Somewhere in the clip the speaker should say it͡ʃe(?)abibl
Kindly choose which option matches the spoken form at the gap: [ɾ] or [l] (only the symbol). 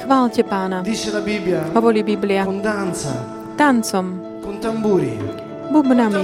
l